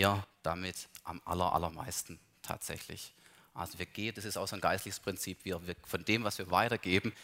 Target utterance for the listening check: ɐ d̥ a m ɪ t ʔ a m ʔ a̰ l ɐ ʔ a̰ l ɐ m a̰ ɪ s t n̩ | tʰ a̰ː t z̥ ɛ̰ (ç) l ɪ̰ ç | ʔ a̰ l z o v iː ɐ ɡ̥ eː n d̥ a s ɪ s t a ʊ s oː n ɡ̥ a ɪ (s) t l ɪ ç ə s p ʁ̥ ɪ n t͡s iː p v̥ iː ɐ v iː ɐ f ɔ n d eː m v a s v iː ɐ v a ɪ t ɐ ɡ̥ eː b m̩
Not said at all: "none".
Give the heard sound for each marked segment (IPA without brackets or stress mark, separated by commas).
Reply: ç, s